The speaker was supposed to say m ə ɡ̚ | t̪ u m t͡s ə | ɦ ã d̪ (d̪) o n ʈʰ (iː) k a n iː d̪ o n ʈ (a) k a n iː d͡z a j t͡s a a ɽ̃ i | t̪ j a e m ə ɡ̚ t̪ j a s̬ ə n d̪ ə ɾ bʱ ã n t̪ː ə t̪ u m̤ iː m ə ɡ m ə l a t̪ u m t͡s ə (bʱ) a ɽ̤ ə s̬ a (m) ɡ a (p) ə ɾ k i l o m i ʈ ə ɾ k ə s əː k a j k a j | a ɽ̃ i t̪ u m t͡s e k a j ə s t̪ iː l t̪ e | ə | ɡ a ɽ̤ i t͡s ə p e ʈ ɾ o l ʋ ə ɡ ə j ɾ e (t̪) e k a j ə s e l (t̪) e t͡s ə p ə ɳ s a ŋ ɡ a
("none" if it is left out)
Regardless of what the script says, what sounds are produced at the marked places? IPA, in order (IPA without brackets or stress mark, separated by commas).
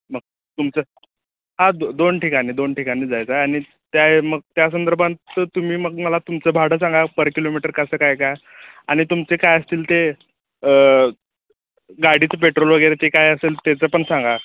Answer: d̪, i, i, bʱ, ŋ, p, t̪, t̪